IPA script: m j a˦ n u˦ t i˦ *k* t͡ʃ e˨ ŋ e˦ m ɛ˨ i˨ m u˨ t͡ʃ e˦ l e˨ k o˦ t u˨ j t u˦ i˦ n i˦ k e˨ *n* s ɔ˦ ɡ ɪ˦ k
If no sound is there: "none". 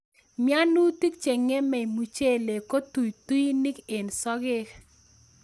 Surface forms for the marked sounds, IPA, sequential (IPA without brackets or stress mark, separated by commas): k, n